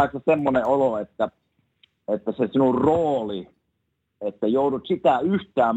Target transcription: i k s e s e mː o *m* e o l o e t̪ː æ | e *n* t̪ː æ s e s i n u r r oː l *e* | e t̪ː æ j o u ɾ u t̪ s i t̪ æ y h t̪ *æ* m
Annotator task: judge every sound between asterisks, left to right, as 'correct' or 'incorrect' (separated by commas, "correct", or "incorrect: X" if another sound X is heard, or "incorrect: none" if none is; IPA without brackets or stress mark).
incorrect: n, incorrect: none, incorrect: i, incorrect: æː